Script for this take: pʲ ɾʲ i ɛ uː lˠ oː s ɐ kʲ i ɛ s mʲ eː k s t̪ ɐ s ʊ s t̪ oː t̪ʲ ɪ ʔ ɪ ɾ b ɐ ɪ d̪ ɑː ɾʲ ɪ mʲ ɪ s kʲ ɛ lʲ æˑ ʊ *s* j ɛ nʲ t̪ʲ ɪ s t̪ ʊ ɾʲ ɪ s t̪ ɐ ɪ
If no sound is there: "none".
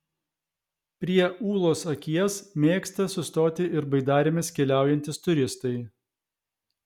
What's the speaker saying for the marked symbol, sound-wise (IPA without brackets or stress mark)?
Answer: none